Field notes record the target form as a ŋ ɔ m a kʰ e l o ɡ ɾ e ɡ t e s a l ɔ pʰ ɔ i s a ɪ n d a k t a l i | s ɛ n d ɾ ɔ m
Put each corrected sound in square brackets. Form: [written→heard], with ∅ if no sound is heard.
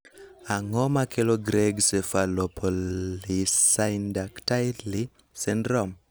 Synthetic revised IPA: a ŋ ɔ m a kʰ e l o ɡ ɾ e ɡ [t→s] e [s→f] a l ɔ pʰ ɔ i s a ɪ n d a k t a l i | s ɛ n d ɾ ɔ m